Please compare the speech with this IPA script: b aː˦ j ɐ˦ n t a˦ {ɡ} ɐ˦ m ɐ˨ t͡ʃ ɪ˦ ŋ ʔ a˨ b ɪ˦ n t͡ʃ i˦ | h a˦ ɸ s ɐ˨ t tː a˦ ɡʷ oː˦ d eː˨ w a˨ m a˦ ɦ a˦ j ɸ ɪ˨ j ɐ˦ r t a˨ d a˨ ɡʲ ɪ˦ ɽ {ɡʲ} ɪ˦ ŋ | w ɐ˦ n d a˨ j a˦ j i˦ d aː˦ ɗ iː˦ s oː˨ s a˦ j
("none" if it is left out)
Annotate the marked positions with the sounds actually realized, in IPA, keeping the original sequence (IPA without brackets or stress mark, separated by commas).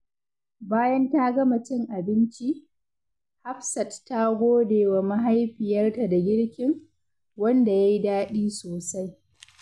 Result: ɡ, kʲ